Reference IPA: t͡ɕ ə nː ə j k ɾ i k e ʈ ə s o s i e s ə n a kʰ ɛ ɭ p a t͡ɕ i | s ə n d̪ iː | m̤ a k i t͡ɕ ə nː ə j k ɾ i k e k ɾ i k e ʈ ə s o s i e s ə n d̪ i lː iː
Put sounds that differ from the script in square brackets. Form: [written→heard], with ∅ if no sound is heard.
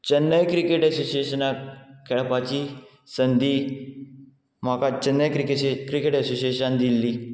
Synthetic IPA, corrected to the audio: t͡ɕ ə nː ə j k ɾ i k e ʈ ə s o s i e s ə n a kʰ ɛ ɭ p a t͡ɕ i | s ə n d̪ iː | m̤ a k [i→a] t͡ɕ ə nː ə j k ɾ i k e k ɾ i k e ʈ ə s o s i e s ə n d̪ i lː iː